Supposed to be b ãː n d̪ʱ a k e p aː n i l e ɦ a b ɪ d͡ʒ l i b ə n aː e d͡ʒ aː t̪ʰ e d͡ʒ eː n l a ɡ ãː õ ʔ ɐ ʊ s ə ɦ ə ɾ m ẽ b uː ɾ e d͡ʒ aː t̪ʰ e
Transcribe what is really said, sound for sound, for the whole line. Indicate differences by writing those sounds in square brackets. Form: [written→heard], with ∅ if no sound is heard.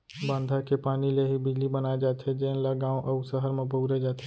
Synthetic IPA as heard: b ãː n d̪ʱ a k e p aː n i l e ɦ [a→i] b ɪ d͡ʒ l i b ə n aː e d͡ʒ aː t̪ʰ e d͡ʒ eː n l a ɡ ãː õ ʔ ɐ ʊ s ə ɦ ə ɾ m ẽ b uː ɾ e d͡ʒ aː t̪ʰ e